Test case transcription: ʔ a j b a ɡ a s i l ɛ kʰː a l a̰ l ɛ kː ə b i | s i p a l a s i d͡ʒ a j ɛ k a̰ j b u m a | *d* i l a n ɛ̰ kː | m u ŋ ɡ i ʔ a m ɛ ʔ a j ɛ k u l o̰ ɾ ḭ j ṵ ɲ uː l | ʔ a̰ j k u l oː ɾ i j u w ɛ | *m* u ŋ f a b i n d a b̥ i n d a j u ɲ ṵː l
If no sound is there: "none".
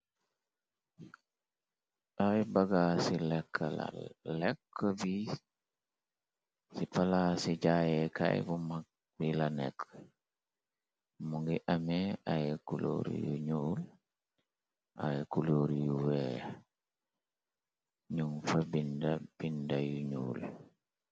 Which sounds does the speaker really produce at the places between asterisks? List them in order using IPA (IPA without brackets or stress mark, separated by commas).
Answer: b, ɲ